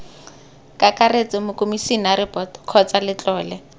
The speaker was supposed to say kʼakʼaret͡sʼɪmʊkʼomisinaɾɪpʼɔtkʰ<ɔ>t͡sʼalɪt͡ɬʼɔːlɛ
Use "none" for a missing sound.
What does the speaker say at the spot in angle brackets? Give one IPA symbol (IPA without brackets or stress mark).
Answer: ɔ